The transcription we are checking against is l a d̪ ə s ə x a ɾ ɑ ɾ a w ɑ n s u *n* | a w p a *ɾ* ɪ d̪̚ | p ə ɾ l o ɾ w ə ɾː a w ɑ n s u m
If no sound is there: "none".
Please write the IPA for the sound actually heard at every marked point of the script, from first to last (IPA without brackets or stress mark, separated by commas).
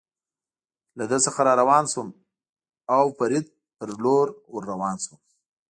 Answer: m, ɾ